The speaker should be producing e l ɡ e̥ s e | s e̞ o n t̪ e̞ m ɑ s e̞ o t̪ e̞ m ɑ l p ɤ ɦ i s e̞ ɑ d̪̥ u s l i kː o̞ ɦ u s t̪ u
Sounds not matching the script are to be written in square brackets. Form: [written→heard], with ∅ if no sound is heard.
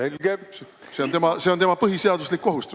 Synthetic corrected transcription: e l ɡ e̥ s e | s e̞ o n t̪ e̞ m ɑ s e̞ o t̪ e̞ m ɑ [l→∅] p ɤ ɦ i s e̞ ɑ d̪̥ u s l i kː o̞ ɦ u s t̪ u